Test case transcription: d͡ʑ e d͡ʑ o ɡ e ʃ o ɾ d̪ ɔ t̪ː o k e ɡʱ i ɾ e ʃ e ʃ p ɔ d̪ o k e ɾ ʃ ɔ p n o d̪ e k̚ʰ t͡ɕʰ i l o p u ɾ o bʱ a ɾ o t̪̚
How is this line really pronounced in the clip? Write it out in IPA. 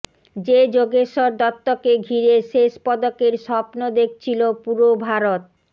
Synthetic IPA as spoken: d͡ʑ e d͡ʑ o ɡ e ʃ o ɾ d̪ ɔ t̪ː o k e ɡʱ i ɾ e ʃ e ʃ p ɔ d̪ o k e ɾ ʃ ɔ p n o d̪ e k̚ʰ t͡ɕʰ i l o p u ɾ o bʱ a ɾ o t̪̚